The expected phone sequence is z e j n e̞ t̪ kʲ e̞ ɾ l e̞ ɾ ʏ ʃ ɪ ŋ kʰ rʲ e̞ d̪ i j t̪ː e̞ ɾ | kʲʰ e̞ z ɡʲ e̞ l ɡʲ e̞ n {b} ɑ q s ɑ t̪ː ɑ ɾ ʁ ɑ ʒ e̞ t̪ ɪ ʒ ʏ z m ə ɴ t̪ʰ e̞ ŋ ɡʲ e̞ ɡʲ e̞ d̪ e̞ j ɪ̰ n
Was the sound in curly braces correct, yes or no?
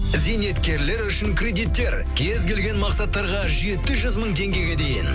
no